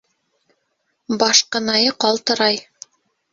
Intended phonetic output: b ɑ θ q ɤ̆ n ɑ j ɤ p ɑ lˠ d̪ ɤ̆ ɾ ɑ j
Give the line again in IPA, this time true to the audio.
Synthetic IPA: b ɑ ʃ q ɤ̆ n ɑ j ɤ q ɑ lˠ t̪ ɤ̆ ɾ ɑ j

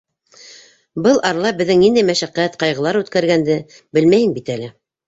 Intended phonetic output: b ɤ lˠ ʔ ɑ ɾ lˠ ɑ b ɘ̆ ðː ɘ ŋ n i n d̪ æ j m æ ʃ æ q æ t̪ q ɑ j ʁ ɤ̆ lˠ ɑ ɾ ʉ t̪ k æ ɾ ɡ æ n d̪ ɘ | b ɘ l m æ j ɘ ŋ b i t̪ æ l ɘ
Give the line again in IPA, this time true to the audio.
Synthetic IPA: b ɤ lˠ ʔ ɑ ɾ lˠ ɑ b ɘ̆ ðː ɘ ŋ n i n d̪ æ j m æ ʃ æ q æ t̪ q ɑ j ʁ ɤ̆ lˠ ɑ ɾ ʉ t̪ k æ ɾ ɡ æ n d̪ ɘ | b ɘ l m æ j ɘ ŋ b i t̪ æ l ɘ

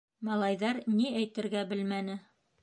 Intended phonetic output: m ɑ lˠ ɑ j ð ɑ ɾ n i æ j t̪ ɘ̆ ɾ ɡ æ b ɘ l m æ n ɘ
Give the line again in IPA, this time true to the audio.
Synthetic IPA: m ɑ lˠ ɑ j ð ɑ ɾ n i æ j t̪ ɘ̆ ɾ ɡ æ b ɘ l m æ n ɘ

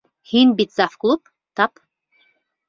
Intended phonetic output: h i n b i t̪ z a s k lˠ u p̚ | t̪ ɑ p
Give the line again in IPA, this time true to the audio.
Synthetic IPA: h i n b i t̪ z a f k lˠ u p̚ | t̪ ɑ p

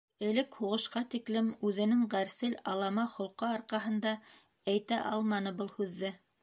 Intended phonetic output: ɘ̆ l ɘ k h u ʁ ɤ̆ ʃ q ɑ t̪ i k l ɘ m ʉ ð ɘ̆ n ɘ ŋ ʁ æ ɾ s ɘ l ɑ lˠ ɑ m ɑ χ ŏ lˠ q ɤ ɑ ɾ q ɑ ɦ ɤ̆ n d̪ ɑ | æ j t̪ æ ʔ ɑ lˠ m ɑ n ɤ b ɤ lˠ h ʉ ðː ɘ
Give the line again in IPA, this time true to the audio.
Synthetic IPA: ɘ̆ l ɘ k h u ʁ ɤ̆ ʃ q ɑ t̪ i k l ɘ m ʉ ð ɘ̆ n ɘ ŋ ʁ æ ɾ s ɘ l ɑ lˠ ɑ m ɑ χ ŏ lˠ q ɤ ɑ ɾ q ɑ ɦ ɤ̆ n d̪ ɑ | æ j t̪ æ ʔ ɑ lˠ m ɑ n ɤ b ɤ lˠ h ʉ ðː ɘ

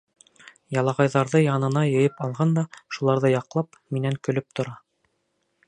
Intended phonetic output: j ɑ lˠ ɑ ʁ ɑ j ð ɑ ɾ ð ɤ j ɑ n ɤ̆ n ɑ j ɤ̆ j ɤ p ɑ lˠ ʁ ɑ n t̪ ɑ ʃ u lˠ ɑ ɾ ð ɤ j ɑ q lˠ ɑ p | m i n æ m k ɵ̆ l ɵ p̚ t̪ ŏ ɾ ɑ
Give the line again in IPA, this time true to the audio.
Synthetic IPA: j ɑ lˠ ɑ ʁ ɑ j ð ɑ ɾ ð ɤ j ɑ n ɤ̆ n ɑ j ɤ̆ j ɤ p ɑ lˠ ʁ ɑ n d̪ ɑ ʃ u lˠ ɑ ɾ ð ɤ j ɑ q lˠ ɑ p | m i n æ ŋ k ɵ̆ l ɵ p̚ t̪ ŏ ɾ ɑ

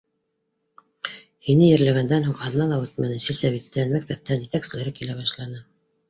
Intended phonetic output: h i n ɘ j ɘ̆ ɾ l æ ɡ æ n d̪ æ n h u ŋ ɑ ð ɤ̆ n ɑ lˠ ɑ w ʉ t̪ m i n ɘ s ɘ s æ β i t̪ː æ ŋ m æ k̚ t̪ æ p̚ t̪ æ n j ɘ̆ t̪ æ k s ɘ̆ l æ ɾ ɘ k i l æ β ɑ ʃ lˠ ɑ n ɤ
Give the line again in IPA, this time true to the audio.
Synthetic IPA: h i n ɘ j ɘ̆ ɾ l æ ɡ æ n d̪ æ n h u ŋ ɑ ð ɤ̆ n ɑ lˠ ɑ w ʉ t̪ m æ n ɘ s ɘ s æ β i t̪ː æ n m æ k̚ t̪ æ p̚ t̪ æ n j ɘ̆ t̪ æ k s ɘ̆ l æ ɾ ɘ k i l æ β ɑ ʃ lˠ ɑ n ɤ

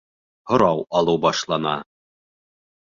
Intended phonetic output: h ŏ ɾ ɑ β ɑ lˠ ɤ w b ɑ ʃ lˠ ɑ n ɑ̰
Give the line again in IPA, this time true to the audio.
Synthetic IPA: h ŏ ɾ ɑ w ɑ lˠ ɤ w b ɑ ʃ lˠ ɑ n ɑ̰

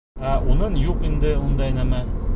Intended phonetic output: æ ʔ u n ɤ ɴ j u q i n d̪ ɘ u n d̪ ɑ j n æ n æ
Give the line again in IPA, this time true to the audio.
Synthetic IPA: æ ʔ u n ɤ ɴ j u q i n d̪ ɘ u n d̪ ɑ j n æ m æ

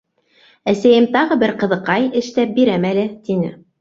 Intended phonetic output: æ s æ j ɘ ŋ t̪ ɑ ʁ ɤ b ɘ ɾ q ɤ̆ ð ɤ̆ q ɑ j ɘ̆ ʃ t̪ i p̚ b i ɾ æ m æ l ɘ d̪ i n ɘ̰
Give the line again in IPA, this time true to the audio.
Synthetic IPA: æ s æ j ɘ m t̪ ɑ ʁ ɤ b ɘ ɾ q ɤ̆ ð ɤ̆ q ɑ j ɘ̆ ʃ t̪ æ p̚ b i ɾ æ m æ l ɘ t̪ i n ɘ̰

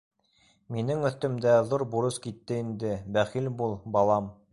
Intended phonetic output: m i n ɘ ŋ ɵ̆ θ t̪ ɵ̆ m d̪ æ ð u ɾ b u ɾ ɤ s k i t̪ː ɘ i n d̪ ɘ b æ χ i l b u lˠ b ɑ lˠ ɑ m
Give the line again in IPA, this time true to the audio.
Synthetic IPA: m i n ɘ ŋ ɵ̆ θ t̪ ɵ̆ m d̪ æ ð u ɾ b u ɾ ɤ s k i t̪ː ɘ i n d̪ ɘ b æ χ i l b u lˠ b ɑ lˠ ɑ m

